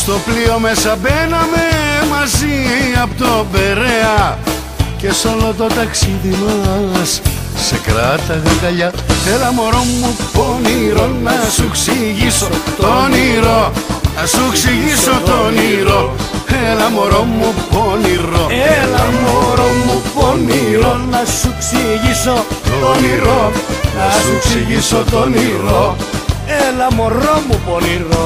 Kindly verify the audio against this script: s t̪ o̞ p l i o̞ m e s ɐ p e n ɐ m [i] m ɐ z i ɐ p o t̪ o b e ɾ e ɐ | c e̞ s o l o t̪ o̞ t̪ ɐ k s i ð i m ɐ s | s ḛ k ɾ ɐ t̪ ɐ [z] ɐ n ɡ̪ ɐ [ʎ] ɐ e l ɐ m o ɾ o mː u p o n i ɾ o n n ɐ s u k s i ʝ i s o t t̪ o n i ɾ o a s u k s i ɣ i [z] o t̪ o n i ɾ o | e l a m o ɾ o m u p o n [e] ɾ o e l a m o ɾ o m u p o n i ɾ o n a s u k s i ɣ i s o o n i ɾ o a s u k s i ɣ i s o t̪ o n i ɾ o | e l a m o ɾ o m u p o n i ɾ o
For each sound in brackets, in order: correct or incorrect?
incorrect, incorrect, correct, incorrect, incorrect

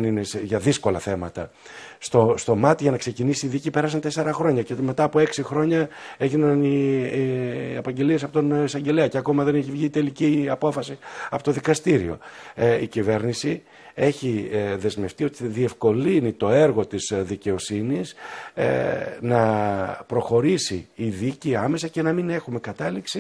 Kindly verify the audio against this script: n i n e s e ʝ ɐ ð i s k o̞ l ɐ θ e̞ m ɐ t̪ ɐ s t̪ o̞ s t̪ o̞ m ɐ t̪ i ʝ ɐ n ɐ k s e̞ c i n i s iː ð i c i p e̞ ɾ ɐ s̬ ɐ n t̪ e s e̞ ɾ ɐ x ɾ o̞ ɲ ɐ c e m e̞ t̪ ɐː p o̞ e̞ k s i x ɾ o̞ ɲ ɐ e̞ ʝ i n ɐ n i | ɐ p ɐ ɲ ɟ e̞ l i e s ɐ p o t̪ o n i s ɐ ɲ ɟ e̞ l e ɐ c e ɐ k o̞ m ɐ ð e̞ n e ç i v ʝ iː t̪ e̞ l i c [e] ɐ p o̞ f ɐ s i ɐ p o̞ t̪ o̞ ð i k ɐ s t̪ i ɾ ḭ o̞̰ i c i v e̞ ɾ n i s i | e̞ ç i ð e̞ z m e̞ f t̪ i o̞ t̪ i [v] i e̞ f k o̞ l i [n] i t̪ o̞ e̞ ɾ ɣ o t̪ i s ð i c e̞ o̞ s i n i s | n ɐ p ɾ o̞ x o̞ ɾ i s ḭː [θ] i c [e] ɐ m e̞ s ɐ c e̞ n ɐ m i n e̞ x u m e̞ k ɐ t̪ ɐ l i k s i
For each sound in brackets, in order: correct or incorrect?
incorrect, incorrect, correct, incorrect, incorrect

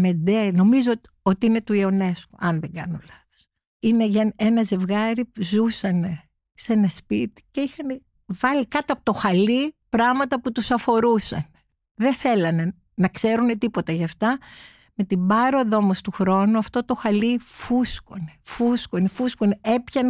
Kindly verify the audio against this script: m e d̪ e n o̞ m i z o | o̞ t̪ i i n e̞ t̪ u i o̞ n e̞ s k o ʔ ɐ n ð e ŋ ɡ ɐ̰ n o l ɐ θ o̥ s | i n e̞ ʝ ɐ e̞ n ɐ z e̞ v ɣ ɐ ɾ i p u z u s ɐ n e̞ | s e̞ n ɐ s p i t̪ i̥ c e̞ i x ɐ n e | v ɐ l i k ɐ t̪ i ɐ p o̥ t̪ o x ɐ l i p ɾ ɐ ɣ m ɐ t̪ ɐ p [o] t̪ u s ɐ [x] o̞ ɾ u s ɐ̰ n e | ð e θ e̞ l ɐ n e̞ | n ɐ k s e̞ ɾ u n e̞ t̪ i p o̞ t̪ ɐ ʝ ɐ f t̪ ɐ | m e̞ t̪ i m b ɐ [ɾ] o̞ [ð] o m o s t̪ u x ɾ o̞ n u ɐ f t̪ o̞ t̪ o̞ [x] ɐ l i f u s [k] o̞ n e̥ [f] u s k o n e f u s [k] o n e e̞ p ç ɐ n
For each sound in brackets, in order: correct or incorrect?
incorrect, incorrect, correct, correct, correct, correct, correct, correct

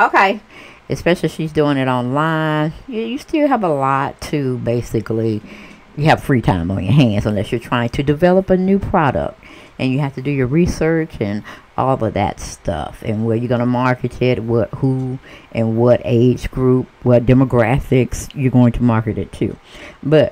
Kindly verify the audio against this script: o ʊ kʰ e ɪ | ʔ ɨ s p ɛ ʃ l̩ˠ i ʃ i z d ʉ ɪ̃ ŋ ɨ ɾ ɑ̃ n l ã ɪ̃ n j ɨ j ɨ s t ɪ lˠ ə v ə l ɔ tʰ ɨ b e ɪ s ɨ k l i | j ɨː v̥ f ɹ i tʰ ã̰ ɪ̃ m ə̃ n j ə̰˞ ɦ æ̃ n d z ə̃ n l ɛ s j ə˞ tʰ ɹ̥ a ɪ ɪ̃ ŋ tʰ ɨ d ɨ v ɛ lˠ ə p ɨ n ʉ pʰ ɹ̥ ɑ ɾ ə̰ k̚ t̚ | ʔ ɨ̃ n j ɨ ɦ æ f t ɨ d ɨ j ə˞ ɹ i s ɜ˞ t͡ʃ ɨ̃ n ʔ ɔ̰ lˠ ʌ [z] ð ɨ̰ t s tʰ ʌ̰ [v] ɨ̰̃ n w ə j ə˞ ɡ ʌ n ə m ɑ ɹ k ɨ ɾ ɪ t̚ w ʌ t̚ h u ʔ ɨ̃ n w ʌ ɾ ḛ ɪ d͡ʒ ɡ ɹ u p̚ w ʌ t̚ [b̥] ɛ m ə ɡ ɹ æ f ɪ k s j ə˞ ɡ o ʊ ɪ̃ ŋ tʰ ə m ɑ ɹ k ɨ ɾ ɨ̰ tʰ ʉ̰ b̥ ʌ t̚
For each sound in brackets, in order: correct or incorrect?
incorrect, incorrect, incorrect

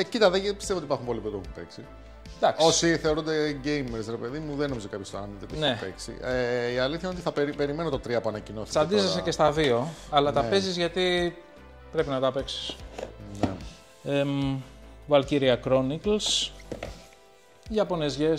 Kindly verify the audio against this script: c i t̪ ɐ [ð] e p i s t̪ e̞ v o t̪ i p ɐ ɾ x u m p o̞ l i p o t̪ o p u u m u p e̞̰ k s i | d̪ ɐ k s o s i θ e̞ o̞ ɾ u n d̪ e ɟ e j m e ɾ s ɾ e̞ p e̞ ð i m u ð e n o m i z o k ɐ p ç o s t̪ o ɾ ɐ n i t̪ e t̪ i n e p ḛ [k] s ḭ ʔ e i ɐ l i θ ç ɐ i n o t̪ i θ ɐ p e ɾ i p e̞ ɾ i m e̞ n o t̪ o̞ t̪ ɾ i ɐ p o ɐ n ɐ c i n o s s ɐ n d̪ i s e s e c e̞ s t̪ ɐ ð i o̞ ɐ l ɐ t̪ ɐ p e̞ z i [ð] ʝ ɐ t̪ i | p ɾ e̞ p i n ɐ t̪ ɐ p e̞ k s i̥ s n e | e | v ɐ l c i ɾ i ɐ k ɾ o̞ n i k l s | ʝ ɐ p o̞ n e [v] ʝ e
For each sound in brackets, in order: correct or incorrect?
correct, correct, incorrect, incorrect

